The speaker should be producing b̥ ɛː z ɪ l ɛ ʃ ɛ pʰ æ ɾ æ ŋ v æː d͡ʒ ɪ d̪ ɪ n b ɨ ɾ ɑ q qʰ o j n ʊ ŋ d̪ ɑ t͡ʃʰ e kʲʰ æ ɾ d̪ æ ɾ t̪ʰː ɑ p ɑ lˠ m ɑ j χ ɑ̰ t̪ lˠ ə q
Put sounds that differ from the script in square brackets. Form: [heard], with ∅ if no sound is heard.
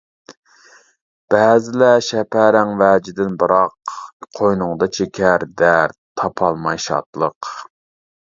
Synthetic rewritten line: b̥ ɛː z ɪ l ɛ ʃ ɛ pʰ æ ɾ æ ŋ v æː d͡ʒ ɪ d̪ ɪ n b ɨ ɾ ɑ q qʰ o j n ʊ ŋ d̪ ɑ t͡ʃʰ e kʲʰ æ ɾ d̪ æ ɾ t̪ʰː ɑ [pʰ] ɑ lˠ m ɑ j [ʃ] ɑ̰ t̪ lˠ ə q